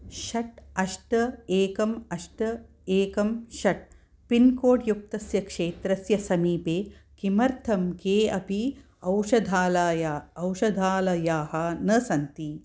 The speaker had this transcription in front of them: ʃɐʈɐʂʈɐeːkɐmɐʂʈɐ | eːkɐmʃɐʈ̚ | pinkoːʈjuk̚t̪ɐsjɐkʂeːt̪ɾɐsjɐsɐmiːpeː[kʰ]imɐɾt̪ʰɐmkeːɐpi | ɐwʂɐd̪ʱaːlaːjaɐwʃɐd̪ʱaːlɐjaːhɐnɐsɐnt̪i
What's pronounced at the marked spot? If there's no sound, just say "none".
k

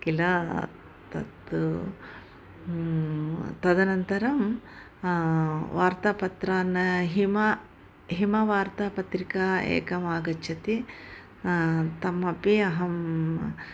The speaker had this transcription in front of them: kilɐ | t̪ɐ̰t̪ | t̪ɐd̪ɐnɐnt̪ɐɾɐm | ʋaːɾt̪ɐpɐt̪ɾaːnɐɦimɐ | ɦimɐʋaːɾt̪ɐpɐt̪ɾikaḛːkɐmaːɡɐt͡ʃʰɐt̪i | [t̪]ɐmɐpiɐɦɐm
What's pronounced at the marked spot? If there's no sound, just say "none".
t̪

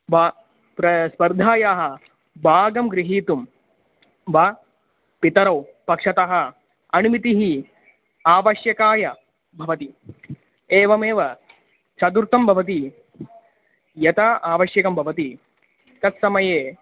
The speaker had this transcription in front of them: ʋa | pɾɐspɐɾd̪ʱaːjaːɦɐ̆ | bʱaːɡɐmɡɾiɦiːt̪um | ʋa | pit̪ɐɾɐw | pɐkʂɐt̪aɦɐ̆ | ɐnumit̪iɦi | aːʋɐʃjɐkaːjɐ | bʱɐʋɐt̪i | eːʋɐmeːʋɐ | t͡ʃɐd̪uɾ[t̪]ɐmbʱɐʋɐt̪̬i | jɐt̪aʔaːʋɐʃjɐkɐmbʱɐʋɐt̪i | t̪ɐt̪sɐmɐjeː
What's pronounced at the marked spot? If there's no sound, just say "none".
t̪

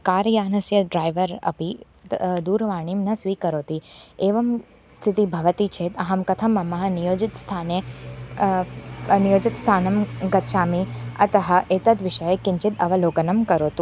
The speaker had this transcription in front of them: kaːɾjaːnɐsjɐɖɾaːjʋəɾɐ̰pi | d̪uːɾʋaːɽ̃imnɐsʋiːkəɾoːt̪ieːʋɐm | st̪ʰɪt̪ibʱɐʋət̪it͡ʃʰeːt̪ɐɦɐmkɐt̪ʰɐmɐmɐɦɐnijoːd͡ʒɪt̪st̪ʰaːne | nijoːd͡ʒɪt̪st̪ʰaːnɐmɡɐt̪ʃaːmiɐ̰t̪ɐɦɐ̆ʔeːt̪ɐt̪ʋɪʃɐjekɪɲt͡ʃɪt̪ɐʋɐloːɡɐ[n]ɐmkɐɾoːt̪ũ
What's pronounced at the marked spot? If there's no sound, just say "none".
n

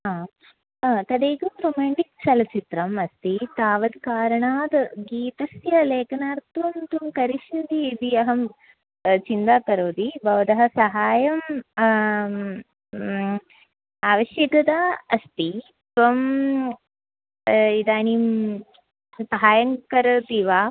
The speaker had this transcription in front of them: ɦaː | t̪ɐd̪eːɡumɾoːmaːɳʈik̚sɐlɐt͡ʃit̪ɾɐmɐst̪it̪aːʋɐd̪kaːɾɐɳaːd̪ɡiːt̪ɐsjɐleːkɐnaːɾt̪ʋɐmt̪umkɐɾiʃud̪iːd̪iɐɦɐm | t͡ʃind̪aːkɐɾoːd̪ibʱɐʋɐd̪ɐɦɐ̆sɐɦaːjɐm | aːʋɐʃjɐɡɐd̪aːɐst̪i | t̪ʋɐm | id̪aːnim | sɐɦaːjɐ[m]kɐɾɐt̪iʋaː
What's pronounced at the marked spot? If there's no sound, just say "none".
ŋ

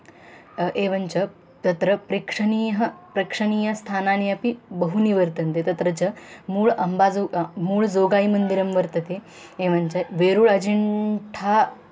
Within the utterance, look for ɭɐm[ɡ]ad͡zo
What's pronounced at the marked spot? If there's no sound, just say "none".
b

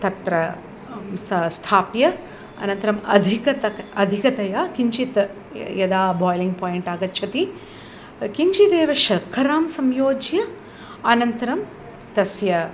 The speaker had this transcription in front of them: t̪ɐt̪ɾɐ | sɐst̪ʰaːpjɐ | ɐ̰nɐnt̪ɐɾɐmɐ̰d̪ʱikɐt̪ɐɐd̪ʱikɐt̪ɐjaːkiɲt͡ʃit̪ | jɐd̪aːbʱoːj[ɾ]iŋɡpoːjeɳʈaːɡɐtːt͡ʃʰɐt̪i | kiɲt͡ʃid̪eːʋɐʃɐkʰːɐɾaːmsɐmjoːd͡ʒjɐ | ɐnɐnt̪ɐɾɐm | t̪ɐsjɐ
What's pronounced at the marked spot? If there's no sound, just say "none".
l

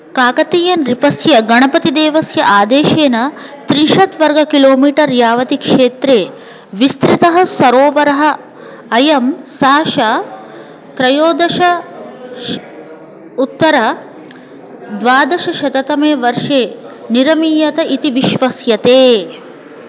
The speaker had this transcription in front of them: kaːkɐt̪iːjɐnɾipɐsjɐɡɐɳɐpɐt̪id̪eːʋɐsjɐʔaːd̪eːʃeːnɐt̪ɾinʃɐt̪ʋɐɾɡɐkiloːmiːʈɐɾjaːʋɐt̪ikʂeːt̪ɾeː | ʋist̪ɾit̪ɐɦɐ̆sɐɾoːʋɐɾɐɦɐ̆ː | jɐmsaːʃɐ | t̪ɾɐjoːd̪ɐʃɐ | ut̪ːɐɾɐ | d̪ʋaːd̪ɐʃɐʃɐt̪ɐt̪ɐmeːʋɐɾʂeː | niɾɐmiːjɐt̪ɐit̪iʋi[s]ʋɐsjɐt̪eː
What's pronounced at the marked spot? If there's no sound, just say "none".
ʃ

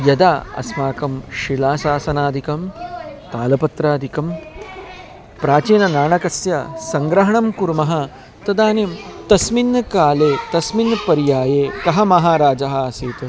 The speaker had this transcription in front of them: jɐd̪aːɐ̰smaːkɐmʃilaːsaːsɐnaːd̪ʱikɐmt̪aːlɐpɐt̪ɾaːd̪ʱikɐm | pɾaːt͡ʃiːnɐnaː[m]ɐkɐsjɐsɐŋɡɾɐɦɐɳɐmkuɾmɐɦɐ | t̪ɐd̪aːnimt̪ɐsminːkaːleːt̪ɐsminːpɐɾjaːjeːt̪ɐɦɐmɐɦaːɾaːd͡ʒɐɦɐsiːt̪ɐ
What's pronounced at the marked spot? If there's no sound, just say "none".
ɳ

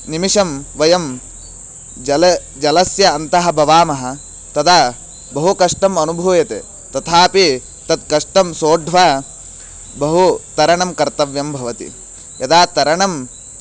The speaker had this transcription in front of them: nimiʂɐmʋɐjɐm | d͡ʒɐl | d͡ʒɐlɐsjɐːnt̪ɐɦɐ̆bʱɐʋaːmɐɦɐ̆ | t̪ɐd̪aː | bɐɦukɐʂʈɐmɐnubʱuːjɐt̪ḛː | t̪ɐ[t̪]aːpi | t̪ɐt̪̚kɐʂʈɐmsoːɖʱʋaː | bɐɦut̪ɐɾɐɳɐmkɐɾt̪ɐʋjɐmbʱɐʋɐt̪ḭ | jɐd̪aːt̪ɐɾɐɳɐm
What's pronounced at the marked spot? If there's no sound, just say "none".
t̪ʰ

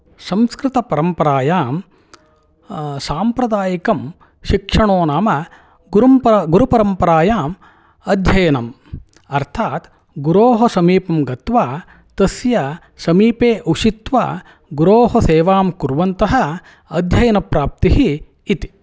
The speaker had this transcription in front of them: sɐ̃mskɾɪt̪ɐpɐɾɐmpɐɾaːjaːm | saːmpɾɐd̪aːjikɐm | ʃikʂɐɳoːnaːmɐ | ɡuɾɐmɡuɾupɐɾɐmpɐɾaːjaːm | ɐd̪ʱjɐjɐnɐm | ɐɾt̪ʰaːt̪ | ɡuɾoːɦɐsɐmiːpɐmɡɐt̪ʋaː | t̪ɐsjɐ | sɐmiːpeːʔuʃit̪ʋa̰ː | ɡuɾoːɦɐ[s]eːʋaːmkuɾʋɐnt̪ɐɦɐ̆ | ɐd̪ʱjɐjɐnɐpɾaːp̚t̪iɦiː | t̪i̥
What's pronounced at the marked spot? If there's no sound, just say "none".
s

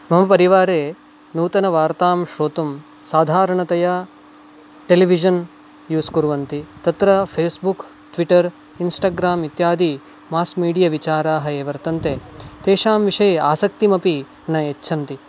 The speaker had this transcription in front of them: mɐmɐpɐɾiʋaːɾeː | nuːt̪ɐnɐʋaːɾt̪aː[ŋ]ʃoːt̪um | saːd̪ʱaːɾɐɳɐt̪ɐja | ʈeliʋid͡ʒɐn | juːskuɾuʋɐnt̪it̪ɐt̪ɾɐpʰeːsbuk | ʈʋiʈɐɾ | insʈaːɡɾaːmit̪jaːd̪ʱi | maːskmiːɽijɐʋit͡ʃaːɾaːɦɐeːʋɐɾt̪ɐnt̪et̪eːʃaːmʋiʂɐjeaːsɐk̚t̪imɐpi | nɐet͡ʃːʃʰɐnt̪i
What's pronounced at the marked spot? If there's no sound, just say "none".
m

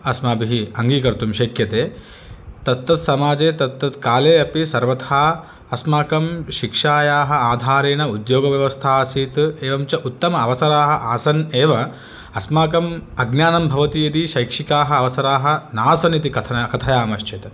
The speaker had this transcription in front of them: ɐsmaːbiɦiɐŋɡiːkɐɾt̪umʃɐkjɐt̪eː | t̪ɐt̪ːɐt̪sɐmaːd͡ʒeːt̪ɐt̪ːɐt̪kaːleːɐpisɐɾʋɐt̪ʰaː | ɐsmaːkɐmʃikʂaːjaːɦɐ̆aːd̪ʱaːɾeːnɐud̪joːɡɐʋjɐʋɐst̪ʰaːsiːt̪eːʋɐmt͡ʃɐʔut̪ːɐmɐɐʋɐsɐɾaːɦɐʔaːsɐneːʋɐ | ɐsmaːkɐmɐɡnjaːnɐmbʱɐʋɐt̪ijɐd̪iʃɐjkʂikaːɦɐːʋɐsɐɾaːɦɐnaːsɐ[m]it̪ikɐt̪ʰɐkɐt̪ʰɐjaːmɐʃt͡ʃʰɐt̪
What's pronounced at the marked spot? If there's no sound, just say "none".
n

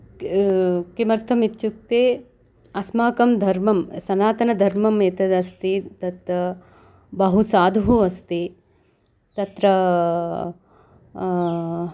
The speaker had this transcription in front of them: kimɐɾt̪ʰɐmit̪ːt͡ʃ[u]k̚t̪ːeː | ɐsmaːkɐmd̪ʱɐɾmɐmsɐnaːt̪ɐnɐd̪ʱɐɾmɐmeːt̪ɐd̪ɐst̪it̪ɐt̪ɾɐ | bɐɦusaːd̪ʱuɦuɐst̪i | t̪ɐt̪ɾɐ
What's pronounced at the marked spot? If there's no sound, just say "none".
u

